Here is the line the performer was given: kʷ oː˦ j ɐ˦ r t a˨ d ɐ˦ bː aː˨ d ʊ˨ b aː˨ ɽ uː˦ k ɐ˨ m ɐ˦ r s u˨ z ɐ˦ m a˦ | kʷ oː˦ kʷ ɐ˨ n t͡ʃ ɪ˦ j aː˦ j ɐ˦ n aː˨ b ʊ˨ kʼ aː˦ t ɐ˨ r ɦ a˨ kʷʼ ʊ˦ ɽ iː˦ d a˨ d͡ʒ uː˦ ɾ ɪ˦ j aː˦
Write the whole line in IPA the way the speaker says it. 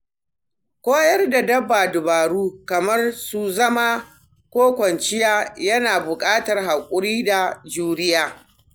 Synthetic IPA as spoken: kʷ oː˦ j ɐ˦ r d a˨ d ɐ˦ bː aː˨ d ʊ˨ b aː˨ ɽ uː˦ k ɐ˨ m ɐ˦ r s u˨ z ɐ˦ m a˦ | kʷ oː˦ kʷ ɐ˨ n t͡ʃ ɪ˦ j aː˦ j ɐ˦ n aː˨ b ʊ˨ kʼ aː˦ t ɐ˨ r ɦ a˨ kʷʼ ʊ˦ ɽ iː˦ d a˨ d͡ʒ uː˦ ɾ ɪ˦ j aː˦